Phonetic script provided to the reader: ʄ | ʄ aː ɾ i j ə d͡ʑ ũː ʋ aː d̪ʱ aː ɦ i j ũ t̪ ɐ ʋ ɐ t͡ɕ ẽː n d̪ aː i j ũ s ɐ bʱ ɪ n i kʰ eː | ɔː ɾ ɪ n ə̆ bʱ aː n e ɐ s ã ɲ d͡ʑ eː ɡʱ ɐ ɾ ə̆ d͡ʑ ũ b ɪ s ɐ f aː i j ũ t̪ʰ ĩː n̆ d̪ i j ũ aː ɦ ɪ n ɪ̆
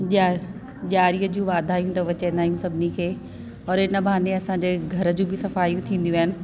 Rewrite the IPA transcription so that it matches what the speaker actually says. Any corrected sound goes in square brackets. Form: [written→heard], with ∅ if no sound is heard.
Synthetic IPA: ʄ | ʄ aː ɾ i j ə d͡ʑ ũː ʋ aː d̪ʱ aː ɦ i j ũ t̪ ɐ ʋ ɐ t͡ɕ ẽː n d̪ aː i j ũ s ɐ bʱ ɪ n i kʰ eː | ɔː ɾ ɪ n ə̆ bʱ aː n e ɐ s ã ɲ d͡ʑ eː ɡʱ ɐ ɾ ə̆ d͡ʑ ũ b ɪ s ɐ f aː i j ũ t̪ʰ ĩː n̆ d̪ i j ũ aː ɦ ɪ n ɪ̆